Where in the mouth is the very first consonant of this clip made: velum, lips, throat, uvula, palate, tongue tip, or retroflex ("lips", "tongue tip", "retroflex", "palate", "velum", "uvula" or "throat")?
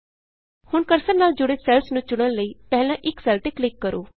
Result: throat